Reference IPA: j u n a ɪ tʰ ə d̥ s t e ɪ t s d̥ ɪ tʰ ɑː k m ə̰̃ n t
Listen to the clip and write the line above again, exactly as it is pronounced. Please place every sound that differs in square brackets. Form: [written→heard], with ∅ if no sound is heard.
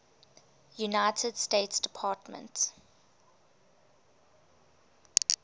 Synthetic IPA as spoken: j u n a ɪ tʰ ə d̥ s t e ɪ t s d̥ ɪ [tʰ→pʰ] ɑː [k→t] m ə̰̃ n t